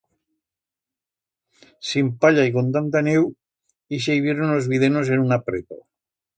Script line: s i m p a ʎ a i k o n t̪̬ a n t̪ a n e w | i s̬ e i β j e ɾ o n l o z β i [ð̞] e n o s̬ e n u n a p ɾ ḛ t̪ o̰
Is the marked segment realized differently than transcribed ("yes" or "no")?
no